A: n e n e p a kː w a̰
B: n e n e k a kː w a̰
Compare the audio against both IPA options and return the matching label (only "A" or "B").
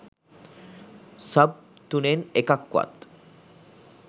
B